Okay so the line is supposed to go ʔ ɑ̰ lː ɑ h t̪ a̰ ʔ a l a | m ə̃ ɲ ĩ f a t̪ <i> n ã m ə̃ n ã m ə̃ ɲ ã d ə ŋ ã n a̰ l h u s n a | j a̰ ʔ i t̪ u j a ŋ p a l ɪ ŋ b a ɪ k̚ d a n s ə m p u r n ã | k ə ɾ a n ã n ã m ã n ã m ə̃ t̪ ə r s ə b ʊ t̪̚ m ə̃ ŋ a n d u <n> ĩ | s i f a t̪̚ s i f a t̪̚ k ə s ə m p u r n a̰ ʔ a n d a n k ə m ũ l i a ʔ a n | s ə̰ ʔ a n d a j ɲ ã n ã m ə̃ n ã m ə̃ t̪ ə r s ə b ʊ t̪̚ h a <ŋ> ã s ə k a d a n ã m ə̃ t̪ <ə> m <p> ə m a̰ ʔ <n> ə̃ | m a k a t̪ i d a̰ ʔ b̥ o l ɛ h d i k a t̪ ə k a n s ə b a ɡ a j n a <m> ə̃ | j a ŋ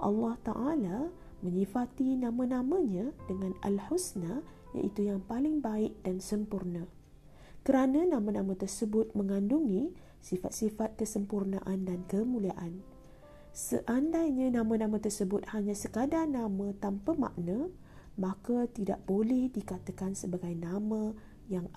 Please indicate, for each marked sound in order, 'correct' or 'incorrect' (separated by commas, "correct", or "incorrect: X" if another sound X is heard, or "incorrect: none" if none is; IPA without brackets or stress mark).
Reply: correct, incorrect: ŋ, incorrect: ɲ, incorrect: a, correct, correct, correct